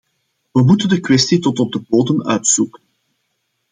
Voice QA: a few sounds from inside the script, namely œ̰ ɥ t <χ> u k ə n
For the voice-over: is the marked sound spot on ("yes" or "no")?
no